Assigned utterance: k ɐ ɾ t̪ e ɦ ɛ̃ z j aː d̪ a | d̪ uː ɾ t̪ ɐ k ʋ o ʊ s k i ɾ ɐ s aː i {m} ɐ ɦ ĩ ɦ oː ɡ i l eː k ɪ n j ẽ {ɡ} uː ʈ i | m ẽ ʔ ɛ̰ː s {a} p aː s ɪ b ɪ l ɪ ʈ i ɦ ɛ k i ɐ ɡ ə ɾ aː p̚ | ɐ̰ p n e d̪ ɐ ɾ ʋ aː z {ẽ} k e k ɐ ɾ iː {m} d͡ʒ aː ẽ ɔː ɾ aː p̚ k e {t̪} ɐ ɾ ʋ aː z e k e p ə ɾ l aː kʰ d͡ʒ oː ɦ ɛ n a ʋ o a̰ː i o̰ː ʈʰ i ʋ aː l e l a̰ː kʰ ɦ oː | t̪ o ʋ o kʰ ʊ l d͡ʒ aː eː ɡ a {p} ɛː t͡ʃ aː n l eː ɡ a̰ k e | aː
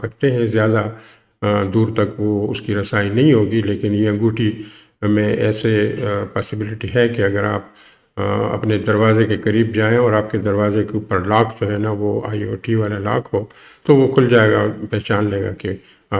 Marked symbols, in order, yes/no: no, yes, no, no, no, no, yes

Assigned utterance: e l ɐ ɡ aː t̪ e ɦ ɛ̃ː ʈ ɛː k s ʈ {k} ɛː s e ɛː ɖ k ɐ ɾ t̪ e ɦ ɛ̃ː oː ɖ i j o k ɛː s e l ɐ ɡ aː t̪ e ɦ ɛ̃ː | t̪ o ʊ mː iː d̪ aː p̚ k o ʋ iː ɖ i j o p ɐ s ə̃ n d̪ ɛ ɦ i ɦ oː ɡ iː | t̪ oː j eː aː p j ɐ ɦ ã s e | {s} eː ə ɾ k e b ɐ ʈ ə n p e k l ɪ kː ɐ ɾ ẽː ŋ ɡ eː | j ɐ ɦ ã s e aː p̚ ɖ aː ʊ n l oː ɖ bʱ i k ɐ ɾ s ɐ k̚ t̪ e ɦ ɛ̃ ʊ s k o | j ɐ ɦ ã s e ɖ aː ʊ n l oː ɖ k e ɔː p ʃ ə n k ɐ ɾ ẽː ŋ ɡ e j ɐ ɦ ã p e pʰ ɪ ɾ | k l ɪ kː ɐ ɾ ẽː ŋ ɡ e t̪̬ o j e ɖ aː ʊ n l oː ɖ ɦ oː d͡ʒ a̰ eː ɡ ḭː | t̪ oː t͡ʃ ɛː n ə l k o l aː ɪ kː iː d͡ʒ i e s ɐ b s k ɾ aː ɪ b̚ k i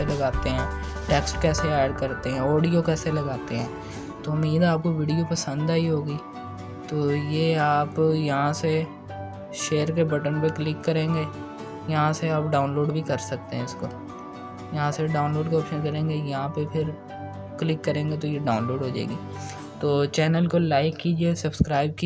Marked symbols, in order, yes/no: yes, no

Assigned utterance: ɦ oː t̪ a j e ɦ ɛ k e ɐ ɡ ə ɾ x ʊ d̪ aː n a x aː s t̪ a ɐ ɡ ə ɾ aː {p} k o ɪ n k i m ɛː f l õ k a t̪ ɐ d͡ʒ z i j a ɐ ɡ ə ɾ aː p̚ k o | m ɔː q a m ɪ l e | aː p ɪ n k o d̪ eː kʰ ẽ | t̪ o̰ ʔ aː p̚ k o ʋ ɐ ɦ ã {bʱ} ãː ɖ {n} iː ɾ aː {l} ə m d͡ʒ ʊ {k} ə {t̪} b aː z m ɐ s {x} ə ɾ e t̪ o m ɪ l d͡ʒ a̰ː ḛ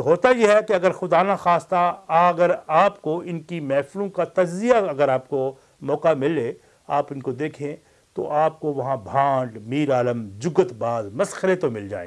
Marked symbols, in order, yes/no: yes, yes, no, yes, no, yes, yes

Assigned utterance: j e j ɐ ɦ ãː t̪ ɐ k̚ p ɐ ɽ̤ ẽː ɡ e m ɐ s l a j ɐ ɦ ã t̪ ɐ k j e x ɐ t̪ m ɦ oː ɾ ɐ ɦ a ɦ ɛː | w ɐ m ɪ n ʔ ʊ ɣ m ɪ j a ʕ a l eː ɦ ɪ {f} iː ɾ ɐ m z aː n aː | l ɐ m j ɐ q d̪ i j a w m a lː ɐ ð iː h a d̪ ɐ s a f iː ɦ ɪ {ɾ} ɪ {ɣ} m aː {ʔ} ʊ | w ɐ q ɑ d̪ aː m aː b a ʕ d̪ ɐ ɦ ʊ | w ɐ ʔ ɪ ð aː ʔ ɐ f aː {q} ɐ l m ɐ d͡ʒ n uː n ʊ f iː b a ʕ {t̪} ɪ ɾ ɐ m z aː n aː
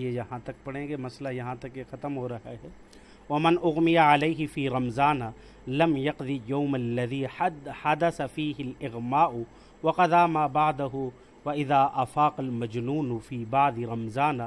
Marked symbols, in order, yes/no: yes, no, yes, yes, yes, no

